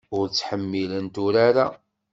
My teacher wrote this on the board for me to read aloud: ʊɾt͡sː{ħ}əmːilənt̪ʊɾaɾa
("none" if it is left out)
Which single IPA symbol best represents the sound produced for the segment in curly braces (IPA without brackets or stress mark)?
ħ